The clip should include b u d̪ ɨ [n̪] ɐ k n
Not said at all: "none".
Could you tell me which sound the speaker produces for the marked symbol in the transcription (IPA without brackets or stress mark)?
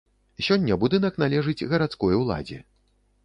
n̪